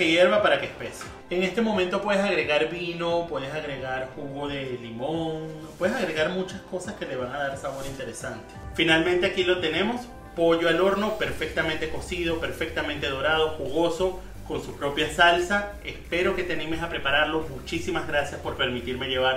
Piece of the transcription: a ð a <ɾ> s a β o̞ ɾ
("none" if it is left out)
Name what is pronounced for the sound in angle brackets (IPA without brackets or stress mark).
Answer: ɾ